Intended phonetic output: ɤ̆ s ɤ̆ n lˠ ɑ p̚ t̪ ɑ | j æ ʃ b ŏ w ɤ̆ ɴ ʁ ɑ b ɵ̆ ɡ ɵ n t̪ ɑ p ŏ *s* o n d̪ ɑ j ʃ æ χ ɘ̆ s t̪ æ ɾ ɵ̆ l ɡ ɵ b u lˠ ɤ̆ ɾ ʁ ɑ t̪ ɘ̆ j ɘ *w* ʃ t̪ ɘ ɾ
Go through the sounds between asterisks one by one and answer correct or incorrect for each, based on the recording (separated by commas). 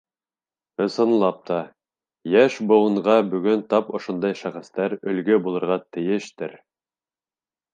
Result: incorrect, incorrect